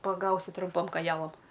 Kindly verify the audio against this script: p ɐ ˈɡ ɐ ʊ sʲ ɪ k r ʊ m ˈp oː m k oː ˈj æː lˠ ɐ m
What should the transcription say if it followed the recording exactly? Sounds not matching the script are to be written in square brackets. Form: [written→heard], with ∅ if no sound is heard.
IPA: p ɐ ˈɡ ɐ ʊ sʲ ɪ [k→t] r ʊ m ˈp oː m k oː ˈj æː lˠ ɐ m